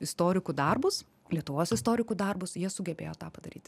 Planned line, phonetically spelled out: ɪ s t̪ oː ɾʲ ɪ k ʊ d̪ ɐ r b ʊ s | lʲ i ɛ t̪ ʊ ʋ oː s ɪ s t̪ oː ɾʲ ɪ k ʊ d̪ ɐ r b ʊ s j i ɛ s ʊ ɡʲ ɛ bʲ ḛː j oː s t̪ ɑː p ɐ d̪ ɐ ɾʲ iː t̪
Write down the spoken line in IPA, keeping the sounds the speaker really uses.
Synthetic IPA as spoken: ɪ s t̪ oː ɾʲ ɪ k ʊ d̪ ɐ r b ʊ s | lʲ i ɛ t̪ ʊ ʋ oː s ɪ s t̪ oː ɾʲ ɪ k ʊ d̪ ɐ r b ʊ s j i ɛ s ʊ ɡʲ ɛ bʲ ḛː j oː t̪ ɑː p ɐ d̪ ɐ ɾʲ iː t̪